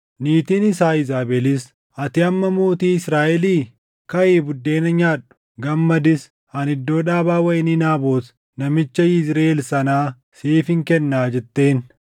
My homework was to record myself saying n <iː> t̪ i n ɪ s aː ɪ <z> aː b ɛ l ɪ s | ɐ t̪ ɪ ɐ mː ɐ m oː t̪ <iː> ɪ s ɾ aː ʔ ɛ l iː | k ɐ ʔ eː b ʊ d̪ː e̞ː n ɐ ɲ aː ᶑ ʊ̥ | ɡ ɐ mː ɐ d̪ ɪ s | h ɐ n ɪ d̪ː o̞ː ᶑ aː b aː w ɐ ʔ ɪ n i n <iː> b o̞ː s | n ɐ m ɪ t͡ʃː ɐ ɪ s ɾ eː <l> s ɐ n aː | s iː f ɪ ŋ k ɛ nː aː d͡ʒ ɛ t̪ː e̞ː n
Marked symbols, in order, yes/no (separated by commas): yes, yes, yes, no, yes